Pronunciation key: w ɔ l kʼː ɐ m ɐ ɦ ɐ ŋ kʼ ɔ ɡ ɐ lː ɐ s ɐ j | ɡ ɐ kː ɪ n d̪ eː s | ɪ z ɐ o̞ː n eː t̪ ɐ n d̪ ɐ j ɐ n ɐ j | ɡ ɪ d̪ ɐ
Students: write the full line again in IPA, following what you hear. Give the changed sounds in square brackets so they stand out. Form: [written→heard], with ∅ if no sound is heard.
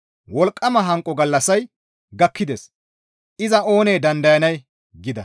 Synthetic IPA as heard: w ɔ l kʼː ɐ m ɐ ɦ ɐ ŋ kʼ ɔ ɡ ɐ lː ɐ s ɐ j | ɡ ɐ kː ɪ [n→∅] d̪ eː s | ɪ z ɐ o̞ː n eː [t̪→d̪] ɐ n d̪ ɐ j ɐ n ɐ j | ɡ ɪ d̪ ɐ